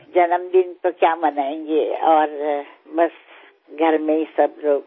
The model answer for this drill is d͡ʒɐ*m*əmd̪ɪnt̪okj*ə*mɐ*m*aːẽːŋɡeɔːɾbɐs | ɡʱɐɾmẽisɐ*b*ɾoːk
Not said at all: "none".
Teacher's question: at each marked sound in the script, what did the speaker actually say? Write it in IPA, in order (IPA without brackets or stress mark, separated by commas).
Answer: n, a, n, b